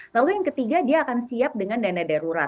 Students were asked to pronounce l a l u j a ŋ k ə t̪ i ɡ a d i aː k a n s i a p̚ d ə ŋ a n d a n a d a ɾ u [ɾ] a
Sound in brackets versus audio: correct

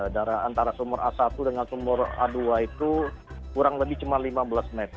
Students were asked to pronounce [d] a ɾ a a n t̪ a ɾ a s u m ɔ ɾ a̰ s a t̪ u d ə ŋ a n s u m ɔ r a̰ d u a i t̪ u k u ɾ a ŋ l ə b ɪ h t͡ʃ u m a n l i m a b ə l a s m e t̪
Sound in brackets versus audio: correct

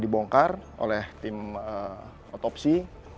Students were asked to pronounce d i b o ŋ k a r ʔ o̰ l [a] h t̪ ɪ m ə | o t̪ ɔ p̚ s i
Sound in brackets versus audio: incorrect: ɛ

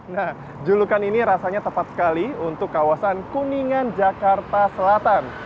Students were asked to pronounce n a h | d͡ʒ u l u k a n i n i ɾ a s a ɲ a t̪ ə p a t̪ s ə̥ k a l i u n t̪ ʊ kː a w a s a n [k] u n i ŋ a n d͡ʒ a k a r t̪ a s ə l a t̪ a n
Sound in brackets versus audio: correct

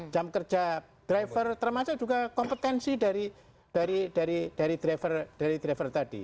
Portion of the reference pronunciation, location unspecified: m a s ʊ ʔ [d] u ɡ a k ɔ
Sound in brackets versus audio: incorrect: d͡ʒ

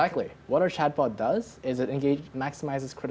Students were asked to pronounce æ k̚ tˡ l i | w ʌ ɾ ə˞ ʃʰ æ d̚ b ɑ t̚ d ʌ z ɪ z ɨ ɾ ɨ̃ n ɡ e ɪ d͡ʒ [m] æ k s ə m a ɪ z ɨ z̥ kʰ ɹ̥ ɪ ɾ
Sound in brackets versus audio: correct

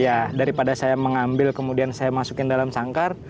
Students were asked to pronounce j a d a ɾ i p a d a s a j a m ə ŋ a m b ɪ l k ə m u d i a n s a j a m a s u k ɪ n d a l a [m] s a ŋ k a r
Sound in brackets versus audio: correct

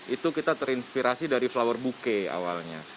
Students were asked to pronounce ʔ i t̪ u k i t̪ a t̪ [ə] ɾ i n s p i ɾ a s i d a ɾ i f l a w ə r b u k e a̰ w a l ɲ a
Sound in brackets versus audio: correct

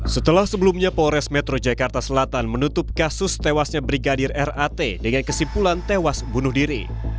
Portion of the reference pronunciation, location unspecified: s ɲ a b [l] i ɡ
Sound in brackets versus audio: incorrect: ɾ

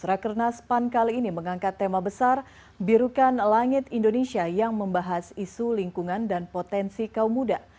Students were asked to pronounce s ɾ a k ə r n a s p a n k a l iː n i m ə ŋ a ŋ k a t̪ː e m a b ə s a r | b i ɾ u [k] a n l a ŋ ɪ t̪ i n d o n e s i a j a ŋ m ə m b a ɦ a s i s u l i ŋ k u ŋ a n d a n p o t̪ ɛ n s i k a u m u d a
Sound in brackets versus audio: correct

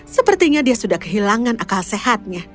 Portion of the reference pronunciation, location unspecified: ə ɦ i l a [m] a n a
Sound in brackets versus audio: incorrect: ŋ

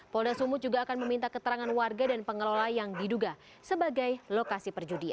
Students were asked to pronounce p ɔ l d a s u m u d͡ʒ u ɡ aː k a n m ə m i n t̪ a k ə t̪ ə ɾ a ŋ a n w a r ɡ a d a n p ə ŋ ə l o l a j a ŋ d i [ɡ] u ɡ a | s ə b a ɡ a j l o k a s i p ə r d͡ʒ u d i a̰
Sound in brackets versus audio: incorrect: d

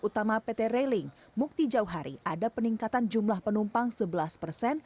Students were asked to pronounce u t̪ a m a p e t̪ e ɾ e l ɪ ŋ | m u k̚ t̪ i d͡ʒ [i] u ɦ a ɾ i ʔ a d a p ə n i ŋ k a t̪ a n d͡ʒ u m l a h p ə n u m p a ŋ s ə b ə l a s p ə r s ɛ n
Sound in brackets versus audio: incorrect: a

